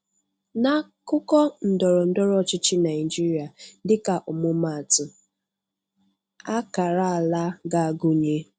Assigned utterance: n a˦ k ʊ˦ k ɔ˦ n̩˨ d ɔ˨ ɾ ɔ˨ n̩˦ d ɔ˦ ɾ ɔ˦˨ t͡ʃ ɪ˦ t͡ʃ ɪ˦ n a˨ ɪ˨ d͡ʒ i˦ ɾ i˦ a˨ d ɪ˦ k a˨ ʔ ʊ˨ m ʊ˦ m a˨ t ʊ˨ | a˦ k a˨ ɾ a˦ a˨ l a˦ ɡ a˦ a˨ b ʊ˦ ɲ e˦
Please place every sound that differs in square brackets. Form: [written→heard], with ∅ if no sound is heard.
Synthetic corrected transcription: n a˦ k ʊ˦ k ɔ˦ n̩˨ d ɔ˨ ɾ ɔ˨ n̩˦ d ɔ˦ ɾ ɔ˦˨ t͡ʃ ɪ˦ t͡ʃ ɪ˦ n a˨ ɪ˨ d͡ʒ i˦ ɾ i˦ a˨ d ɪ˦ k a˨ ʔ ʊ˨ m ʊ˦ m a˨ t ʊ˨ | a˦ k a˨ ɾ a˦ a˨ l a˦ ɡ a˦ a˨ [b→ɡ] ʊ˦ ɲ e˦